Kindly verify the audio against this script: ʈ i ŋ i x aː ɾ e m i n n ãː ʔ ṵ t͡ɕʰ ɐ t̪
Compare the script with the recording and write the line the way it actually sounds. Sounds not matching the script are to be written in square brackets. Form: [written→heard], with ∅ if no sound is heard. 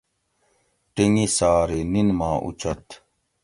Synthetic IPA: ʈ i ŋ i [x→s] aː ɾ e [m→n] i n [n→m] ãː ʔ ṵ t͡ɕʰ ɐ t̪